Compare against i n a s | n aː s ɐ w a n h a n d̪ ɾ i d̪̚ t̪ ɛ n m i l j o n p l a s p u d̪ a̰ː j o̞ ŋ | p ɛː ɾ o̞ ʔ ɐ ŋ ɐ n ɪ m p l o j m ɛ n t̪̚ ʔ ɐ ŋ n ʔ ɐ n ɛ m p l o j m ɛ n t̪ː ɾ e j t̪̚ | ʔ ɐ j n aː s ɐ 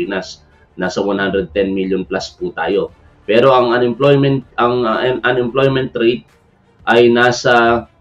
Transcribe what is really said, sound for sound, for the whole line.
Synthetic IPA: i n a s | n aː s ɐ w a n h a n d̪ ɾ ɛ d̪̚ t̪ ɛ n m i l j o n p l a s p u t̪ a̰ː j o̞ | p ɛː ɾ o̞ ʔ ɐ ŋ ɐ n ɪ m p l o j m ɛ n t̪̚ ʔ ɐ ŋ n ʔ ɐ n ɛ m p l o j m ɛ n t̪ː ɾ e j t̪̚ | ʔ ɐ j n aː s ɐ